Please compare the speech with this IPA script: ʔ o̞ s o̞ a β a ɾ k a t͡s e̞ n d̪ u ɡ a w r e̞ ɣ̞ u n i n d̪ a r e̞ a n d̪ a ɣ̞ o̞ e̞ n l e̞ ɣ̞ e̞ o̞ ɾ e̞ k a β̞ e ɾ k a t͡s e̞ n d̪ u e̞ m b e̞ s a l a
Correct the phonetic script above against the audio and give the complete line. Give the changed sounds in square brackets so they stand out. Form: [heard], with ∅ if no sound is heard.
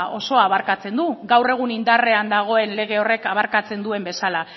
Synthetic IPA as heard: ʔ o̞ s o̞ a β a ɾ k a t͡s e̞ n d̪ u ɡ a w r e̞ ɣ̞ u n i n d̪ a r e̞ a n d̪ a ɣ̞ o̞ e̞ n l e̞ ɣ̞ e̞ o̞ [r] e̞ k a β̞ [a] ɾ k a t͡s e̞ n d̪ u e̞ m b e̞ s a l a